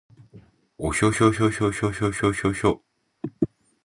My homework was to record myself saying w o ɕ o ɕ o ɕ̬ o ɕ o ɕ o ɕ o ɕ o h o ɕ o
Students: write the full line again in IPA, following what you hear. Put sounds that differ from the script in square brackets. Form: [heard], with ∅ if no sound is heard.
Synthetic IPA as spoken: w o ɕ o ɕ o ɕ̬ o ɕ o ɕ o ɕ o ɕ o [ɕ] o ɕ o